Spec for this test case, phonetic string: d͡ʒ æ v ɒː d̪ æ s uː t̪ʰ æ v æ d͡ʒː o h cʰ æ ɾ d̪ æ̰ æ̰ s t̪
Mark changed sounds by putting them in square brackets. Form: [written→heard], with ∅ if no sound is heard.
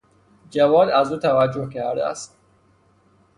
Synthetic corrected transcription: d͡ʒ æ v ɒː d̪ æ [s→z] uː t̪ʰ æ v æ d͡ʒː o h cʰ æ ɾ d̪ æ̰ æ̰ s t̪